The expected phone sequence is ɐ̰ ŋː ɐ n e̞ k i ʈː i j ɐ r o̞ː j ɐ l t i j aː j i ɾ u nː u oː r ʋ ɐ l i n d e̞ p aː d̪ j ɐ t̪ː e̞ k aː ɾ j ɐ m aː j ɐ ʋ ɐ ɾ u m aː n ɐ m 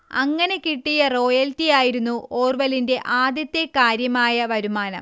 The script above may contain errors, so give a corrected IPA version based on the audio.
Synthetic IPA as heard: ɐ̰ ŋː ɐ n e̞ k i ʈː i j ɐ r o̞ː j ɐ l t i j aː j i ɾ u nː u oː r ʋ ɐ l i n d e̞ ʔ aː d̪ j ɐ t̪ː e̞ k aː ɾ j ɐ m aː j ɐ ʋ ɐ ɾ u m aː n ɐ m